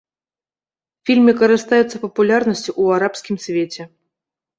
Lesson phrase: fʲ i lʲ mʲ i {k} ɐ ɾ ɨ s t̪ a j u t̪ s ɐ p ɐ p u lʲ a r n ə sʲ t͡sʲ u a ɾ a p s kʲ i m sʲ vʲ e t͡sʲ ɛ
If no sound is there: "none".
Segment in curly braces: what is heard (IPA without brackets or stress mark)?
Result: k